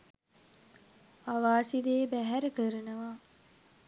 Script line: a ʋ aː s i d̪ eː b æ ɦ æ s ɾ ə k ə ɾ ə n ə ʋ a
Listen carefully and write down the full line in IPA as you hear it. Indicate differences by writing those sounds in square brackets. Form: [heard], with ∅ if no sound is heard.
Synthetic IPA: a ʋ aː s i d̪ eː b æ ɦ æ [∅] ɾ ə k ə ɾ ə n ə ʋ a